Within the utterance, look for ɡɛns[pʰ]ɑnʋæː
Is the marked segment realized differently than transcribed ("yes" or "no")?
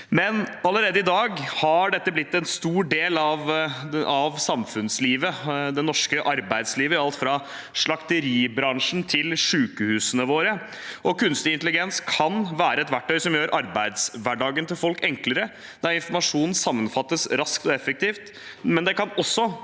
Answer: yes